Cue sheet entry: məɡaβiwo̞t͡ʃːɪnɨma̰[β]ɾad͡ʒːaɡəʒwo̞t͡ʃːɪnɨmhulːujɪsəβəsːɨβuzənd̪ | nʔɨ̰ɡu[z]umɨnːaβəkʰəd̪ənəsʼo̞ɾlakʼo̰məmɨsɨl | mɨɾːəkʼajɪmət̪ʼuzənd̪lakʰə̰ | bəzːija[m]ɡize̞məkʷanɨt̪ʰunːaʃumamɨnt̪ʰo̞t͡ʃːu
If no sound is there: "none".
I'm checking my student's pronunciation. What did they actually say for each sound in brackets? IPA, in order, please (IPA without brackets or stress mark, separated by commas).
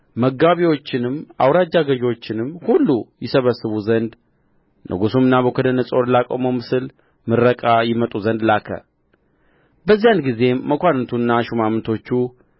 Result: w, s, n